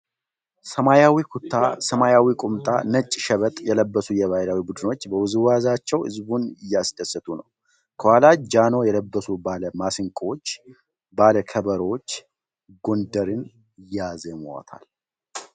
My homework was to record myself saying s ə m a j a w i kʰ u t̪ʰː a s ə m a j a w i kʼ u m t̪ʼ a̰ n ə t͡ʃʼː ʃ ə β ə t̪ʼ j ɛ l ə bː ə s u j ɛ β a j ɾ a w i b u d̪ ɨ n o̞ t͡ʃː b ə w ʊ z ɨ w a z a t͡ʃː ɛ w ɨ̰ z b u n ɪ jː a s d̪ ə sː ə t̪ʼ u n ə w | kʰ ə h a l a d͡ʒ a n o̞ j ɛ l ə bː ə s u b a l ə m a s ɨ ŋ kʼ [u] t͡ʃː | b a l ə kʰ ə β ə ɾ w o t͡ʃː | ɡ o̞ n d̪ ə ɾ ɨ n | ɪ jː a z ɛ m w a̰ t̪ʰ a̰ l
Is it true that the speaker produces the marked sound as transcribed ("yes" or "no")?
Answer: no